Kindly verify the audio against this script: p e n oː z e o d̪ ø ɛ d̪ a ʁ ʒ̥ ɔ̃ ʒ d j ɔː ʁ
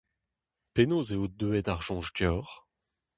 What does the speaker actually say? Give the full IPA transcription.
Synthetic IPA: p e n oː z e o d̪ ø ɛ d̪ a ʁ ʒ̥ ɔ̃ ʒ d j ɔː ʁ